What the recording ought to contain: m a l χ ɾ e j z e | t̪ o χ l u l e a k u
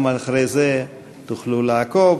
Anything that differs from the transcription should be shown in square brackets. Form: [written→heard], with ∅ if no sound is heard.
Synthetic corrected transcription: m a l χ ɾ e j z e | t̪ [o→u] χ l u l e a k [u→o]